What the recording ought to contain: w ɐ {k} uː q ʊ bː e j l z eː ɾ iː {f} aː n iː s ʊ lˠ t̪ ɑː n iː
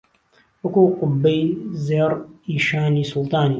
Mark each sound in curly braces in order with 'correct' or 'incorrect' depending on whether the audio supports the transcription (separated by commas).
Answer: correct, incorrect